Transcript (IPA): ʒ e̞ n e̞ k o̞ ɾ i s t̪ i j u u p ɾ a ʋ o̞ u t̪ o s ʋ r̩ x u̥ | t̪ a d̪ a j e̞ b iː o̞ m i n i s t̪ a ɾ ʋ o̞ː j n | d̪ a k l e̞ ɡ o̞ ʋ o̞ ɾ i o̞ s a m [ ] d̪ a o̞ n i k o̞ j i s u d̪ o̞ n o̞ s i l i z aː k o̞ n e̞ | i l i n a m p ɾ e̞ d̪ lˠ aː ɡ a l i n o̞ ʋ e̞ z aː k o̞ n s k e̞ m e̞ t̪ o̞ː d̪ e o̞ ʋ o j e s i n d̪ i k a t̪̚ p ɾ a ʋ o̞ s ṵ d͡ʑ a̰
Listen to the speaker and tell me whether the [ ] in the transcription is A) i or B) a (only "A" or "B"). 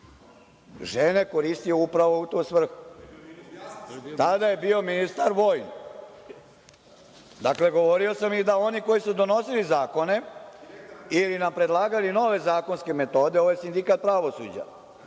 A